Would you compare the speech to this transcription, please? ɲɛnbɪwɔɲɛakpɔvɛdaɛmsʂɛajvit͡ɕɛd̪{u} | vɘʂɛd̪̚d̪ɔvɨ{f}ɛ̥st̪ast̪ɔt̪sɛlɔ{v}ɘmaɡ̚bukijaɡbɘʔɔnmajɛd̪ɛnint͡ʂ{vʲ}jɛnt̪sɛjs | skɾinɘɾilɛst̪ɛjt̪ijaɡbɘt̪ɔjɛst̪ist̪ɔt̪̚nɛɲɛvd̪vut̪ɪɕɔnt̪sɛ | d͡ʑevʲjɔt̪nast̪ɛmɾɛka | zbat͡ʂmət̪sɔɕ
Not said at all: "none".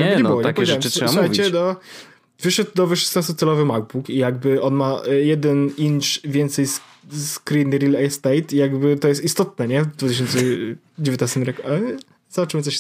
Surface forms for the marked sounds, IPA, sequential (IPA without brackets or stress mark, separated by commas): ɔ, ʂ, v, vʲ